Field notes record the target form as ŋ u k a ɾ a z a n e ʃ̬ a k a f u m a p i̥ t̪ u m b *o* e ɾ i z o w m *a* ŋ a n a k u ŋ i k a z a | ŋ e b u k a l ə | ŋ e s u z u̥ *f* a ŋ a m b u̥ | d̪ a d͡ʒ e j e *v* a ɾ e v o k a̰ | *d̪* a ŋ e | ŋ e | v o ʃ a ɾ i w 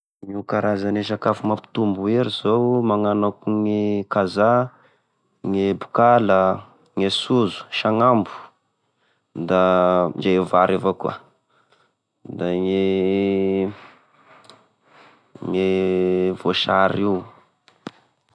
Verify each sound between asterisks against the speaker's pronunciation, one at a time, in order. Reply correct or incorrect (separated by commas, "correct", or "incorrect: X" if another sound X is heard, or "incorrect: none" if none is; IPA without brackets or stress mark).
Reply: incorrect: u, correct, incorrect: ʃ, correct, correct